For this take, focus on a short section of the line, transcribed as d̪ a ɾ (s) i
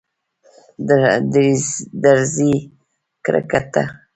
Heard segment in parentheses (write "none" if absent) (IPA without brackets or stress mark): z